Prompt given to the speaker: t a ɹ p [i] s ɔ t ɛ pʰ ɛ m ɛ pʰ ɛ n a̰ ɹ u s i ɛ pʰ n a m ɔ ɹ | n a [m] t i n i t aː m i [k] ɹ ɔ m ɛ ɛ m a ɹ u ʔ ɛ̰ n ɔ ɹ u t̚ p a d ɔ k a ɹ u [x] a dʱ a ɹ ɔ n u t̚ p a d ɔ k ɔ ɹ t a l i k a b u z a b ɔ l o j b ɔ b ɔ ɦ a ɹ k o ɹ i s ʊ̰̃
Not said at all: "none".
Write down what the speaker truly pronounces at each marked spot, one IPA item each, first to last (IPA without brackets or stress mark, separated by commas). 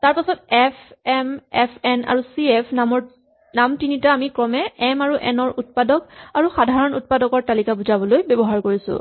a, m, k, x